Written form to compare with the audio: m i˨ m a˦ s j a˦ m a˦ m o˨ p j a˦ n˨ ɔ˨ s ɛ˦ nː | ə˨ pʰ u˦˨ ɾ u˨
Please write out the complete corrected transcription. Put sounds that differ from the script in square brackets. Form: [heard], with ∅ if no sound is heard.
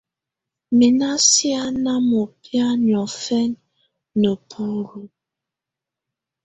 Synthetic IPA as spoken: m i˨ [n] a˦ s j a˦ [n] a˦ m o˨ p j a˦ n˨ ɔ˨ [f] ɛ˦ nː | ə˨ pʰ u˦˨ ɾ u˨